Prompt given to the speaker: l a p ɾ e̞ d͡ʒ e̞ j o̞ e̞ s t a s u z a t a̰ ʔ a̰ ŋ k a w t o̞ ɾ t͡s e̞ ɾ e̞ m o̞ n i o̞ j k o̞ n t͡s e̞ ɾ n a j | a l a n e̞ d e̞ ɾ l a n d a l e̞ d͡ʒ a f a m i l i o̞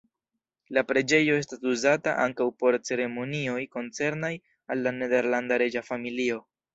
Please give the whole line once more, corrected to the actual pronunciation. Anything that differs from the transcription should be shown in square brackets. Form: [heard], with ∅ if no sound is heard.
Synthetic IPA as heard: l a p ɾ e̞ d͡ʒ e̞ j o̞ e̞ s t a s u z a t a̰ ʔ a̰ ŋ k a w [p] o̞ ɾ t͡s e̞ ɾ e̞ m o̞ n i o̞ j k o̞ n t͡s e̞ ɾ n a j | a [lː] a n e̞ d e̞ ɾ l a n d a [ɾ] e̞ d͡ʒ a f a m i l i o̞